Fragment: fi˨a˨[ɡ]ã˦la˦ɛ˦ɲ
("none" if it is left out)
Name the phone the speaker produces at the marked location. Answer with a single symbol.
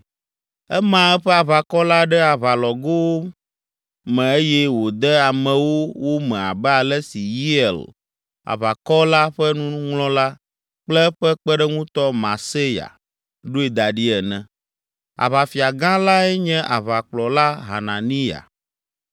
ɡ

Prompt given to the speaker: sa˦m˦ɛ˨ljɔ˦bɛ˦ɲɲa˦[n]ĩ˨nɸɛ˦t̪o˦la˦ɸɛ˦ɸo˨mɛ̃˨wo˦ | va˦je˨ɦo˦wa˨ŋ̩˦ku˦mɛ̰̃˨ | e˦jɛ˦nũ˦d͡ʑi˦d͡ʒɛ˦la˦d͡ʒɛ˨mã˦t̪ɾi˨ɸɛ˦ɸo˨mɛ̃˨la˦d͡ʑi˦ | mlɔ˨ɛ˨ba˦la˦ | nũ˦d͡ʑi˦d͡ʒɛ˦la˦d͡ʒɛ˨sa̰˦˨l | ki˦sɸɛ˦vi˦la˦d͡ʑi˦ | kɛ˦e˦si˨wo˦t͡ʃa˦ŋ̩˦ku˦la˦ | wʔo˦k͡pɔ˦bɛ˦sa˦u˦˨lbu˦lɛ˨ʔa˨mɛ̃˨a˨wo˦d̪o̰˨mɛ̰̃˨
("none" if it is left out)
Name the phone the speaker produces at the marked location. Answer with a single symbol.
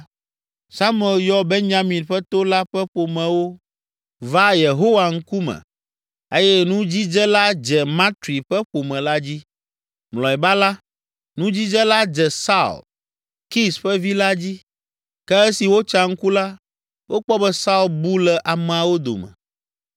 m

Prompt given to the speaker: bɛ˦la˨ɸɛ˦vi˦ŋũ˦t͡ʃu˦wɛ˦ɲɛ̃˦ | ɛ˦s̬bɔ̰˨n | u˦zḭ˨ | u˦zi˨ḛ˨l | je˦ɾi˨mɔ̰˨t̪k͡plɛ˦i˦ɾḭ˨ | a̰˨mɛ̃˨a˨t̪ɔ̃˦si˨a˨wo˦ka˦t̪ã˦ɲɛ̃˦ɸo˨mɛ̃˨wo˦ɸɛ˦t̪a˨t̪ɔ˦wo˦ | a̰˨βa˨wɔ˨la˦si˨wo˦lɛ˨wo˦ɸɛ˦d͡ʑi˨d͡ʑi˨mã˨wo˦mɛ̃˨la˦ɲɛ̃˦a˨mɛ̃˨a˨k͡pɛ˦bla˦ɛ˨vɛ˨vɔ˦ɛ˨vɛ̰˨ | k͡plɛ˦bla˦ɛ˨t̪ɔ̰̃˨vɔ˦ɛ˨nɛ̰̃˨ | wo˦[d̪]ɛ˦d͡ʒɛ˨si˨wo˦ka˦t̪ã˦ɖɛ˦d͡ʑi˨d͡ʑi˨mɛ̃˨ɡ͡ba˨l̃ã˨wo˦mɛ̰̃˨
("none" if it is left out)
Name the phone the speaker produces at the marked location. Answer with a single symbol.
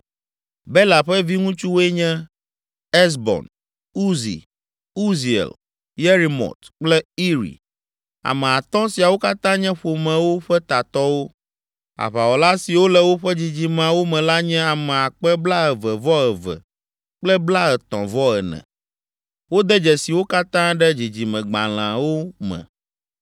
d̪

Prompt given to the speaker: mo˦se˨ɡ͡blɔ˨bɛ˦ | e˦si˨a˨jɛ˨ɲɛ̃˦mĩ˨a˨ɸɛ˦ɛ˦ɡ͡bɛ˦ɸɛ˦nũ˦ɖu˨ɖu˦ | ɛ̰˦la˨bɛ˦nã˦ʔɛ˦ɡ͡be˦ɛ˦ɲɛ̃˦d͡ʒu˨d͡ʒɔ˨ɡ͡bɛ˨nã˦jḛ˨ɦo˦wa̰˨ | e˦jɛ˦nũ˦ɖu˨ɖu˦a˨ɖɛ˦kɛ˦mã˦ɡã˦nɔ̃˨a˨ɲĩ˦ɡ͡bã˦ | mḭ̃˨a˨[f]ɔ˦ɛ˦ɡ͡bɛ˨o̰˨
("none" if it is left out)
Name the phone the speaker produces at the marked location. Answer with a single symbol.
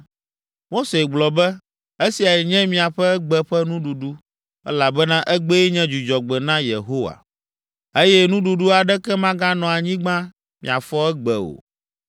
f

